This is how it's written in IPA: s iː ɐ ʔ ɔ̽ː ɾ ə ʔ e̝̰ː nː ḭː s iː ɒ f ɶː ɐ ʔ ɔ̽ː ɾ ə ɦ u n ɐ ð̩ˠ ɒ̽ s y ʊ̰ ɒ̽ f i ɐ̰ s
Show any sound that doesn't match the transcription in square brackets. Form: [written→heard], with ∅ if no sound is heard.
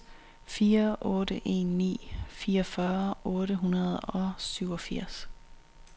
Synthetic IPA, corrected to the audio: [s→f] iː ɐ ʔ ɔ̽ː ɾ ə ʔ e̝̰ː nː ḭː [s→f] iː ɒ f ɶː ɐ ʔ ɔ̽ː ɾ ə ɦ u n ɐ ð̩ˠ ɒ̽ s y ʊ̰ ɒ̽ f i ɐ̰ s

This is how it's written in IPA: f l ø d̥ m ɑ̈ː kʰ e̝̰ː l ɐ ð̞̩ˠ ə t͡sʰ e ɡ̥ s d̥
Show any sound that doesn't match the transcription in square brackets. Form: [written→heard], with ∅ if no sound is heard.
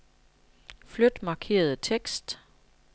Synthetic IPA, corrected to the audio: f l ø d̥ m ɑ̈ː kʰ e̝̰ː [l→∅] ɐ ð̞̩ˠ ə t͡sʰ e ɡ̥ s d̥

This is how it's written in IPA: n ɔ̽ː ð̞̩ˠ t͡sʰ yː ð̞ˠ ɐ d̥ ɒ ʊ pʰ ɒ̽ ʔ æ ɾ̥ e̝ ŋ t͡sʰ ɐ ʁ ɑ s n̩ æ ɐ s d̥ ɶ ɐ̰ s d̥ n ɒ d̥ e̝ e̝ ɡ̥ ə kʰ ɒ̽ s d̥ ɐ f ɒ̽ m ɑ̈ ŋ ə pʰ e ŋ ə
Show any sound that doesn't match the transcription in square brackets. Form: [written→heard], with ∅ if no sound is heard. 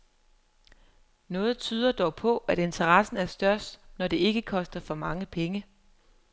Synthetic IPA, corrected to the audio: n ɔ̽ː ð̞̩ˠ t͡sʰ yː ð̞ˠ ɐ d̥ ɒ ʊ pʰ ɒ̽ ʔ æ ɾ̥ e̝ [ŋ→n] t͡sʰ ɐ ʁ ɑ s n̩ æ ɐ s d̥ ɶ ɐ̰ s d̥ n ɒ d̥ e̝ e̝ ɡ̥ ə kʰ ɒ̽ s d̥ ɐ f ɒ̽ m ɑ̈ ŋ ə pʰ e ŋ ə

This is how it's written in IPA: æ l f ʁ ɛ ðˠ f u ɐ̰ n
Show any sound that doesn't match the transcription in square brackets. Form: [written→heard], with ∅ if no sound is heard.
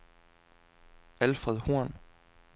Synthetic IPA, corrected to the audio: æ l f ʁ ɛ ðˠ [f→h] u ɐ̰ n

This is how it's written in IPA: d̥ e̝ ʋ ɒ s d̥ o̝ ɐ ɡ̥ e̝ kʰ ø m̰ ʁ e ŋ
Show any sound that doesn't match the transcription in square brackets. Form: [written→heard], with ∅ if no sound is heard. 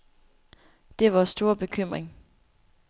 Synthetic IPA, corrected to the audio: d̥ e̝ ʋ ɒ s d̥ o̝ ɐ [ɡ̥→b̥] e̝ kʰ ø m̰ ʁ e ŋ

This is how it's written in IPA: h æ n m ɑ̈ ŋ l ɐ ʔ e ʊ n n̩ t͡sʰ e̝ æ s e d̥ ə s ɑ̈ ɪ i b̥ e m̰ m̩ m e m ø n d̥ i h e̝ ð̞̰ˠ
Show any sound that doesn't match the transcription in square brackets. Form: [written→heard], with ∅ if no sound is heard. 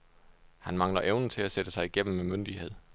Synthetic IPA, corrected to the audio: h æ n m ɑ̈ ŋ l ɐ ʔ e ʊ n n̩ t͡sʰ e̝ æ s e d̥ ə s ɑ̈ ɪ i [b̥→ɡ̥] e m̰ m̩ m e m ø n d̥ i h e̝ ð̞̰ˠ

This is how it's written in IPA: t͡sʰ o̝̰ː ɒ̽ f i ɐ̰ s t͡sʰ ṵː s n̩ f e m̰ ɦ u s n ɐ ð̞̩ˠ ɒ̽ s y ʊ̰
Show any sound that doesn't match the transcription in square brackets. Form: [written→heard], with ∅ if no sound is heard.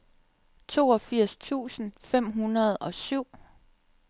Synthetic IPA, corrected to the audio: t͡sʰ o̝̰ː ɒ̽ f i ɐ̰ s t͡sʰ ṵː s n̩ f e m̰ ɦ u [s→∅] n ɐ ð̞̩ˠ ɒ̽ s y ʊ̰

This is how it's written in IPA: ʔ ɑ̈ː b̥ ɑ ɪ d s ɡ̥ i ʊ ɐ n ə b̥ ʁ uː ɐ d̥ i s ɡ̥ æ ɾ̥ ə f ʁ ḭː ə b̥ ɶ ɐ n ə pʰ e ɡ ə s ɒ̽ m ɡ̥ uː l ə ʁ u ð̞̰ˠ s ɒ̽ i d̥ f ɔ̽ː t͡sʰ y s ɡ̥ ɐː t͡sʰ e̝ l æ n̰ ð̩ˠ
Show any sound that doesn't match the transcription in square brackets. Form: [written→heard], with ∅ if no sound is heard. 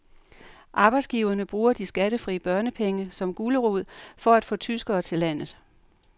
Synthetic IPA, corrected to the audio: ʔ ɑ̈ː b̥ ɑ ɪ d s ɡ̥ i ʊ ɐ n ə b̥ ʁ uː ɐ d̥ i s ɡ̥ æ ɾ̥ ə f ʁ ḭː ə b̥ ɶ ɐ n ə pʰ e [ɡ→ŋ] ə s ɒ̽ m ɡ̥ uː l ə ʁ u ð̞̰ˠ [s→f] ɒ̽ [i→æ] d̥ f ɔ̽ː t͡sʰ y s ɡ̥ ɐː t͡sʰ e̝ l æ n̰ ð̩ˠ

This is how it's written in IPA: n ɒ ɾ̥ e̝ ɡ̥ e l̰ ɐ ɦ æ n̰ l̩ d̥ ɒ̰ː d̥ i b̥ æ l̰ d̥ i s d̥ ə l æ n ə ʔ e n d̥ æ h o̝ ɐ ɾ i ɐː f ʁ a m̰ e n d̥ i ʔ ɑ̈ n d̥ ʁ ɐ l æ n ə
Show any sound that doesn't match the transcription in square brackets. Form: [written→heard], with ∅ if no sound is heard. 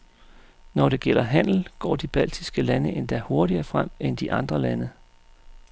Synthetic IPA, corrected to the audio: n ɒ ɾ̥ e̝ ɡ̥ e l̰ ɐ ɦ æ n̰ l̩ [d̥→ɡ̥] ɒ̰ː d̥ i b̥ æ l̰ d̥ i s [d̥→ɡ̥] ə l æ n ə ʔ e n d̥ æ h o̝ ɐ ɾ i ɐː f ʁ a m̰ e n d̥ i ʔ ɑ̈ n d̥ ʁ ɐ l æ n ə

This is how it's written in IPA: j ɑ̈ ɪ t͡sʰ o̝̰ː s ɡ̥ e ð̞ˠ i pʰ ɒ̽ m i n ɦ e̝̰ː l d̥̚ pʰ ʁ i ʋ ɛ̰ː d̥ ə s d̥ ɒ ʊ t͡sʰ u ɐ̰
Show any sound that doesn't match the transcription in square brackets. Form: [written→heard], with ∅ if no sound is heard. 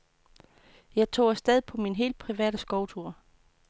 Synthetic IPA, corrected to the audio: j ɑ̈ ɪ t͡sʰ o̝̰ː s [ɡ̥→d̥] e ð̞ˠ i pʰ ɒ̽ m i n ɦ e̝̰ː l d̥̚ pʰ ʁ i ʋ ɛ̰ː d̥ ə s [d̥→ɡ̥] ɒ ʊ t͡sʰ u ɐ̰

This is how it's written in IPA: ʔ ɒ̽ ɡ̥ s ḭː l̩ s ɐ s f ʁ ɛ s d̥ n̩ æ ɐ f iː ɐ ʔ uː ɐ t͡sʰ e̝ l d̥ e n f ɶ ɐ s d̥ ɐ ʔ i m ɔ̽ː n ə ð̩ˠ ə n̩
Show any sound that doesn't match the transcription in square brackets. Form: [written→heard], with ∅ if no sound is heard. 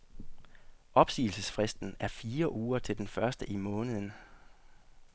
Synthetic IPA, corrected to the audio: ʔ ɒ̽ [ɡ̥→b̥] s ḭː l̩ s [ɐ→ə] s f ʁ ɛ s d̥ n̩ æ ɐ f iː ɐ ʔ uː ɐ t͡sʰ e̝ l d̥ e n f ɶ ɐ s d̥ [ɐ→ə] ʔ i m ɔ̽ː n ə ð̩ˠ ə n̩

